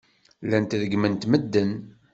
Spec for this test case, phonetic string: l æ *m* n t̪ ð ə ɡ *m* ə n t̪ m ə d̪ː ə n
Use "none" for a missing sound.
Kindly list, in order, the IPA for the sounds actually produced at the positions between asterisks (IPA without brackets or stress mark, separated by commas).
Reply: none, m